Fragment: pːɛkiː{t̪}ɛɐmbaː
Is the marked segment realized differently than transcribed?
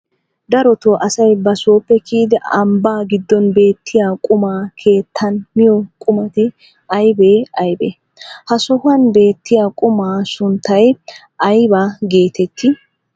yes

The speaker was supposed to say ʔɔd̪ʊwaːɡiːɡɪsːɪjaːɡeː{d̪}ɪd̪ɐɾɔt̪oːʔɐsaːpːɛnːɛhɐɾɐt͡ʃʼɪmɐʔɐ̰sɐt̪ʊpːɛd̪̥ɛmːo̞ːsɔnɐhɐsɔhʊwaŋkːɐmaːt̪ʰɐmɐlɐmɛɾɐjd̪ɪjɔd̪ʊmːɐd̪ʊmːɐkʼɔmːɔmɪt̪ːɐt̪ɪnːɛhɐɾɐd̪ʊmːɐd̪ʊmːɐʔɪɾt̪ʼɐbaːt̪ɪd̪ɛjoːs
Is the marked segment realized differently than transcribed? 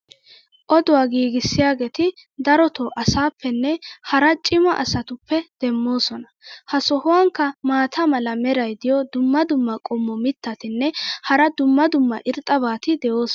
yes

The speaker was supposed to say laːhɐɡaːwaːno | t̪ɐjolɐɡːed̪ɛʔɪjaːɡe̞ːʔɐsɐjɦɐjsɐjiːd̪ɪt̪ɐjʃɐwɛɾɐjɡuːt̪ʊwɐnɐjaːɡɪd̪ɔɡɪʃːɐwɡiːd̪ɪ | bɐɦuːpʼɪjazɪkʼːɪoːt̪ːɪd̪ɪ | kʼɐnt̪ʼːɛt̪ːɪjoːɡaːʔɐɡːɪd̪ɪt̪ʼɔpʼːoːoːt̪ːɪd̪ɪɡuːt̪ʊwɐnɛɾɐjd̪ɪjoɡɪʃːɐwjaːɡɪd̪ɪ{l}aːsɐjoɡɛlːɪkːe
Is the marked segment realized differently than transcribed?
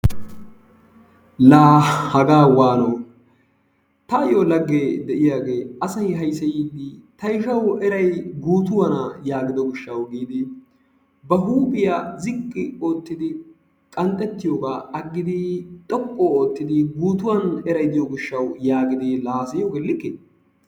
no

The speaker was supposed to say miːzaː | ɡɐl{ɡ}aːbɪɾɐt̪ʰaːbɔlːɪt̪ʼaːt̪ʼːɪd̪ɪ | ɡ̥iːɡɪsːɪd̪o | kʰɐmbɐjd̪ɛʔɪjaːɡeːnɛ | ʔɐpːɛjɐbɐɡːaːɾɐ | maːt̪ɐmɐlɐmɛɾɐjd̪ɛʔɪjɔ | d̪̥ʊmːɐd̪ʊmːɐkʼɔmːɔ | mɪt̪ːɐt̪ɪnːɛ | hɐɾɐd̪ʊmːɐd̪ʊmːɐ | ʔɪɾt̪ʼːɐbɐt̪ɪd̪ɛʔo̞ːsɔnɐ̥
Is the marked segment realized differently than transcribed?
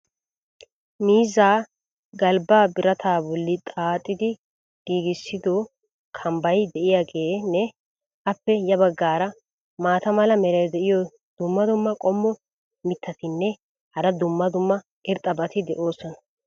yes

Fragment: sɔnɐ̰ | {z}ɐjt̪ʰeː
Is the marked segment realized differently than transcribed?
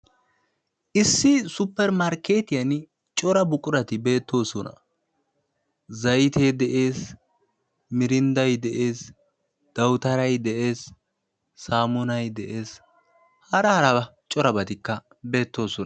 no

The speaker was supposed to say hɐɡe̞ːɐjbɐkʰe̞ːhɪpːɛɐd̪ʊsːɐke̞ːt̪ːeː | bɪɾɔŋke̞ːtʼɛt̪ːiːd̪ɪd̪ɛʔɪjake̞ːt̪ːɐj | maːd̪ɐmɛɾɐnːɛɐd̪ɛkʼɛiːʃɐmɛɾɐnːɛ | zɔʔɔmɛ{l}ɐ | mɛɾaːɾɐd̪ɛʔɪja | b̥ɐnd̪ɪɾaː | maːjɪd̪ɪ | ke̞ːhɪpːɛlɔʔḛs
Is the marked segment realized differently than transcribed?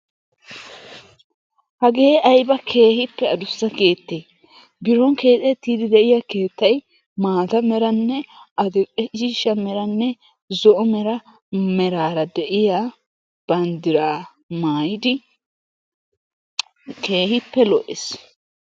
yes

